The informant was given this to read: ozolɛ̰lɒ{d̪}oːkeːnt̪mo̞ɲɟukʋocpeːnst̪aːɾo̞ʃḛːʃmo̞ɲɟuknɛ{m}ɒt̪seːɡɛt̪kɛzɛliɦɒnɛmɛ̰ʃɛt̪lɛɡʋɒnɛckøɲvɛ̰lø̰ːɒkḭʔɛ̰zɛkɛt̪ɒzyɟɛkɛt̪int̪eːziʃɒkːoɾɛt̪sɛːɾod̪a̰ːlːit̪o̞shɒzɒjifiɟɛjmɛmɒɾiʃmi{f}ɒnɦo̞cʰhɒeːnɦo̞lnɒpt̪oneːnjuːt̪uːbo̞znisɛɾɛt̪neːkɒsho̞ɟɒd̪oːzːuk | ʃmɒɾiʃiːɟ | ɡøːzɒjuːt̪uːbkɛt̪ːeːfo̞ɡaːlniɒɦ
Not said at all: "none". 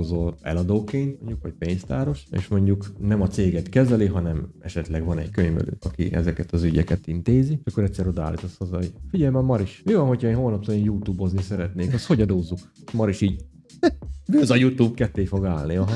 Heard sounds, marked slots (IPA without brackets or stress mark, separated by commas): d̪, m, v